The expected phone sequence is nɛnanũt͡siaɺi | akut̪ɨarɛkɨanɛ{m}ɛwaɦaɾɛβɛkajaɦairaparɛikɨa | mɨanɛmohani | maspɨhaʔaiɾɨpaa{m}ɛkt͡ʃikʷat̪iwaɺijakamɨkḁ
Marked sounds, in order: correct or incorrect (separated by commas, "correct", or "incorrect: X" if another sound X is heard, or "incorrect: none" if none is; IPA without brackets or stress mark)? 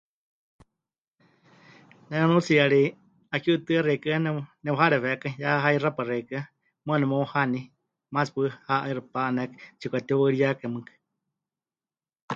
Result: incorrect: n, incorrect: n